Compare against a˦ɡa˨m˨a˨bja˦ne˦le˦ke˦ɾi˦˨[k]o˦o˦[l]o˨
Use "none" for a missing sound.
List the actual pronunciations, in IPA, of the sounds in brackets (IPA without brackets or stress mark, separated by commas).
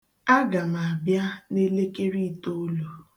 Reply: t, l